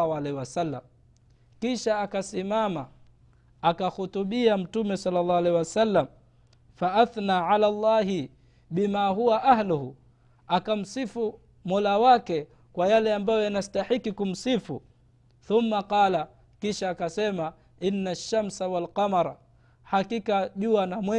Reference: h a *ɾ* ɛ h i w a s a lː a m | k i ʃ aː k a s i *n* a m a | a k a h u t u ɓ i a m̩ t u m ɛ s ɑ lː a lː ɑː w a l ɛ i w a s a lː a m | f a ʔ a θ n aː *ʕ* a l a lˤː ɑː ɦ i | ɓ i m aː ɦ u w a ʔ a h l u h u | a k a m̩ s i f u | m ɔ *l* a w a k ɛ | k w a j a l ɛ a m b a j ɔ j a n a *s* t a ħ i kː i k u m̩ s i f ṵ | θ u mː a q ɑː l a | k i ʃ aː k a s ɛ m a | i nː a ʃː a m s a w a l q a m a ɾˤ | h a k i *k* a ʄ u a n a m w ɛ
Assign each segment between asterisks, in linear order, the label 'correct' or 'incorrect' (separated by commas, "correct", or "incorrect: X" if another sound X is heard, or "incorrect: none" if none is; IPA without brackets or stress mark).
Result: incorrect: l, incorrect: m, correct, correct, correct, correct